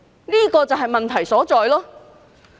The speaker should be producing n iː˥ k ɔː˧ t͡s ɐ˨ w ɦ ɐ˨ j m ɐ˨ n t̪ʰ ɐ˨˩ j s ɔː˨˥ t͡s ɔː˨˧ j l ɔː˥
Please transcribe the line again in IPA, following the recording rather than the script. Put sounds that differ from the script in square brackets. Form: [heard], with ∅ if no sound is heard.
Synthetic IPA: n iː˥ k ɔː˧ t͡s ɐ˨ w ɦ ɐ˨ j m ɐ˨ n t̪ʰ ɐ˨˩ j s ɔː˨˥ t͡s ɔː˨˧ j l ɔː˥